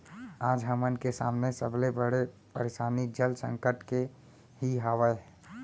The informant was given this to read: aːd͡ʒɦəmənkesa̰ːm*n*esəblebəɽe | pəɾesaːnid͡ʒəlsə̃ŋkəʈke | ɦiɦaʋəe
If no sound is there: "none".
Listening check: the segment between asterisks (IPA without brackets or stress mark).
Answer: n